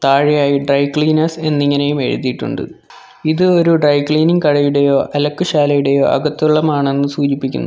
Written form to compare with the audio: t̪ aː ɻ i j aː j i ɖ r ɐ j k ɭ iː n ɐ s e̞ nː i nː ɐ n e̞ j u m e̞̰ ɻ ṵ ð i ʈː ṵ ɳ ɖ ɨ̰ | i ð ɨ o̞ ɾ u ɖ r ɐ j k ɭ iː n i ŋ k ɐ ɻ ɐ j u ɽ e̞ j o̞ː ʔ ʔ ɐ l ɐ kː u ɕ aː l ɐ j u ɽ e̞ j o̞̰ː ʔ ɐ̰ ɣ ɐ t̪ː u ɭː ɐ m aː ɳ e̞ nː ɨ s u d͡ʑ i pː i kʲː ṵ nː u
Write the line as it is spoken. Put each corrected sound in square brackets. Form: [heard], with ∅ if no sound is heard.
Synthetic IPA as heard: t̪ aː ɻ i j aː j i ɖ r ɐ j k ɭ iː n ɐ s e̞ nː i [ŋː] ɐ n e̞ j u m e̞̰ ɻ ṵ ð i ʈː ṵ ɳ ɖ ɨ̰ | i ð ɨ o̞ ɾ u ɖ r ɐ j k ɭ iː n i ŋ k ɐ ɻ ɐ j u ɽ e̞ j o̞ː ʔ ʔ ɐ l ɐ kː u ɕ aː l ɐ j u ɽ e̞ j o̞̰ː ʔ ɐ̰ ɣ ɐ t̪ː u ɭː ɐ m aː ɳ e̞ nː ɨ s [uː] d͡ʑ i pː i kʲː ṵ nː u